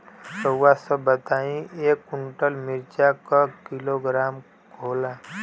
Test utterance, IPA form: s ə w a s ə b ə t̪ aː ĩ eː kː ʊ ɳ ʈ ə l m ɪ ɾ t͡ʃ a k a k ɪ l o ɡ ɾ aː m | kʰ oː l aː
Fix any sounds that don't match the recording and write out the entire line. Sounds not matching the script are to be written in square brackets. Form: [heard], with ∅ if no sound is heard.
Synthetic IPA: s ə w a s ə b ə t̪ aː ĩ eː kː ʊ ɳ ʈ ə l m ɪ ɾ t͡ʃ a k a k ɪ l o ɡ ɾ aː m | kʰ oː l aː